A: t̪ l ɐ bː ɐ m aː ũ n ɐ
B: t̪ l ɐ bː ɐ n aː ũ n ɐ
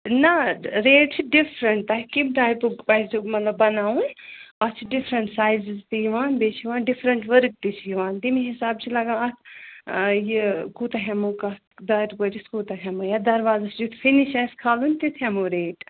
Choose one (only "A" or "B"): B